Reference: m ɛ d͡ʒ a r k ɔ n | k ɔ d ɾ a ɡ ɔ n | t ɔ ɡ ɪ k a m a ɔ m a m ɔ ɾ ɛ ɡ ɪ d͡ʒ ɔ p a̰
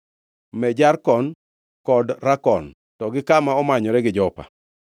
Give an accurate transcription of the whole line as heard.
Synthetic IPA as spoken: m ɛ d͡ʒ a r k ɔ n | k ɔ d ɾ a k ɔ n | t ɔ ɡ ɪ k a m a ɔ m a ɲ ɔ ɾ ɛ ɡ ɪ d͡ʒ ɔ p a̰